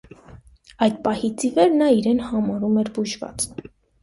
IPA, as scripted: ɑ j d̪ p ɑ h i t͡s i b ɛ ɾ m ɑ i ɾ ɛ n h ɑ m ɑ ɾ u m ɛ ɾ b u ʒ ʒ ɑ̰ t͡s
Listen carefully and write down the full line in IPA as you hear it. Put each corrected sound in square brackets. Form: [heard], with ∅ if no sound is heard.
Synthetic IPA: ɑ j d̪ p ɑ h i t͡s i [v] ɛ ɾ [n] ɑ i ɾ ɛ n h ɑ m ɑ ɾ u m ɛ ɾ b u ʒ [v] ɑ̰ t͡s